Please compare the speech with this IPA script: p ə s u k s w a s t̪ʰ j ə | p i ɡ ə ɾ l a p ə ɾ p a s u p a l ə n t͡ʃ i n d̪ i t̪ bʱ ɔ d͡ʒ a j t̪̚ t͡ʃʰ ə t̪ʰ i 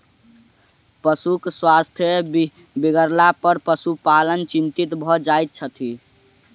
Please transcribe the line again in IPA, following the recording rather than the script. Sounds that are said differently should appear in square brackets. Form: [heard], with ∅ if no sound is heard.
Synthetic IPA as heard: p ə s u k s w a s t̪ʰ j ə | [b] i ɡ ə ɾ l a p ə ɾ p [ə] s u p a l ə n t͡ʃ i n [t̪] i t̪ bʱ ɔ d͡ʒ a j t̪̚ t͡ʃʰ ə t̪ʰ i